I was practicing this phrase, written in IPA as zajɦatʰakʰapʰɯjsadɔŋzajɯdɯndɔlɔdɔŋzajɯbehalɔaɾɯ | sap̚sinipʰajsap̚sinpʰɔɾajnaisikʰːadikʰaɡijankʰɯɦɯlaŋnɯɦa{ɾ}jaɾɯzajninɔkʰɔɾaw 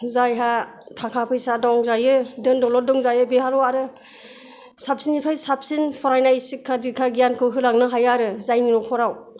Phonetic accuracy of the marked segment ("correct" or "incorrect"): incorrect